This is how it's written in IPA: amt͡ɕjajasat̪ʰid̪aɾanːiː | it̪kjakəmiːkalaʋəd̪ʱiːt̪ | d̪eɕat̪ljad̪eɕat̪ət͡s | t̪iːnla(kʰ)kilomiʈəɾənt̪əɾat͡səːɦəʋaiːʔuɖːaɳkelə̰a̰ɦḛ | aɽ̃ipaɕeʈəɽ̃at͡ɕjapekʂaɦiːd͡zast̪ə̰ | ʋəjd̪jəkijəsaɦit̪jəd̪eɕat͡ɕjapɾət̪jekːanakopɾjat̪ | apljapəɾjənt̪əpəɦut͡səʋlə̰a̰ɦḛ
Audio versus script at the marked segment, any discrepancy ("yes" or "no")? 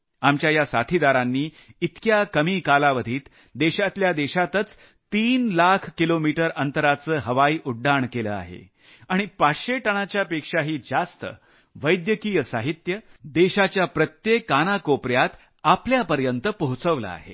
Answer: no